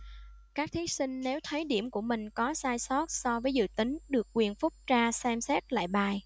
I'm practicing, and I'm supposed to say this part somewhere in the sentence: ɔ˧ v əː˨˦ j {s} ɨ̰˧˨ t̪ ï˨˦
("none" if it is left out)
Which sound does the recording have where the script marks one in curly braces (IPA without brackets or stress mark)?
z